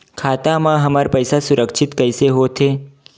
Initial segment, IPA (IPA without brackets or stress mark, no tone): kʰ